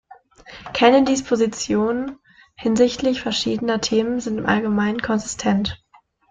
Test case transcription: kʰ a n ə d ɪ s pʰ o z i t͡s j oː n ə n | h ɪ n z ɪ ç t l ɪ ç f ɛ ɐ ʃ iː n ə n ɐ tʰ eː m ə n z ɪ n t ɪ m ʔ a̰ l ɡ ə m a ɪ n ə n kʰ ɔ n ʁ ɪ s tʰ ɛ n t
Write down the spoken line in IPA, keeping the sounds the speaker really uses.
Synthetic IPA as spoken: kʰ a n ə d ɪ s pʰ o z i t͡s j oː n ə n | h ɪ n z ɪ ç t l ɪ ç f ɛ ɐ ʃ iː d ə n ɐ tʰ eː m ə n z ɪ n t ɪ m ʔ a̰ l ɡ ə m a ɪ n ə n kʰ ɔ n z ɪ s tʰ ɛ n t